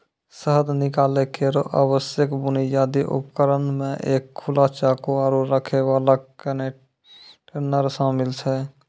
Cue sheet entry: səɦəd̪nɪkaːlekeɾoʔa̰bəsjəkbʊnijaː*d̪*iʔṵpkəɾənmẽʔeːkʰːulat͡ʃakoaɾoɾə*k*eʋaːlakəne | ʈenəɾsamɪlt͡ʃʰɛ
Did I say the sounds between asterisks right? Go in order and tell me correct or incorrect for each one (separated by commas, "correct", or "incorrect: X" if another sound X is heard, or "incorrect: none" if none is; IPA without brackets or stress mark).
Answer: correct, incorrect: kʰ